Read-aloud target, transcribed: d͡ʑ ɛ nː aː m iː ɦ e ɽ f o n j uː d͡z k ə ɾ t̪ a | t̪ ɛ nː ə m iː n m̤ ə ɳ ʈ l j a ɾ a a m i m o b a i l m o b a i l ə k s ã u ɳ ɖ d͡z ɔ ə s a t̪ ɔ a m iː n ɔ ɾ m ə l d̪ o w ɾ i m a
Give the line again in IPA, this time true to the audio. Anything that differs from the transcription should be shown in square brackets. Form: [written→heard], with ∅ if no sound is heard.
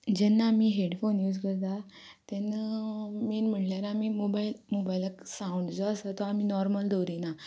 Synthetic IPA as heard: d͡ʑ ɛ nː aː m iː ɦ e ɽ f o n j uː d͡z k ə ɾ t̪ a | t̪ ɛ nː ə m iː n m̤ ə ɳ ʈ l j a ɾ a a m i m o b a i l m o b a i l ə k s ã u ɳ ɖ d͡z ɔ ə s a t̪ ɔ a m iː n ɔ ɾ m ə l d̪ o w ɾ i [m→n] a